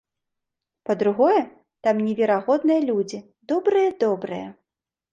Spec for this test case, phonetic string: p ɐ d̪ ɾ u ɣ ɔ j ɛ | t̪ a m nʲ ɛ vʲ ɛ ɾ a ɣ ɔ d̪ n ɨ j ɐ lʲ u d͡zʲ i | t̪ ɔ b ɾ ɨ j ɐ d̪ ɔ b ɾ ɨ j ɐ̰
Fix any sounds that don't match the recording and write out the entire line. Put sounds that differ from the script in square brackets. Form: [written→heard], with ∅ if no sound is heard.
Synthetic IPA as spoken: p ɐ d̪ ɾ u ɣ ɔ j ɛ | t̪ a m nʲ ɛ vʲ ɛ ɾ a ɣ ɔ d̪ n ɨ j ɐ lʲ u d͡zʲ i | [t̪→d̪] ɔ b ɾ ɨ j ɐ d̪ ɔ b ɾ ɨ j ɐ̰